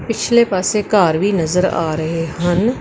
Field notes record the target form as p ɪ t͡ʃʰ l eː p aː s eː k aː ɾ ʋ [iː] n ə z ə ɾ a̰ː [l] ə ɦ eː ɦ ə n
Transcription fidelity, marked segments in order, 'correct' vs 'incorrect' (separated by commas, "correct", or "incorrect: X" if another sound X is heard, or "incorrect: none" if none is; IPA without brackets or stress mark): correct, incorrect: ɾ